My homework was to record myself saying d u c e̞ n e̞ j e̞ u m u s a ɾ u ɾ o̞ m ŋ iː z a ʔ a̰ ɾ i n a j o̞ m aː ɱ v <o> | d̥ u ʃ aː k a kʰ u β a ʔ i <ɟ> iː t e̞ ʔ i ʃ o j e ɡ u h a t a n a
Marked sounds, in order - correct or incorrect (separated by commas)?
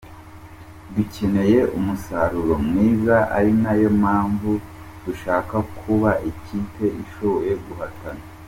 incorrect, incorrect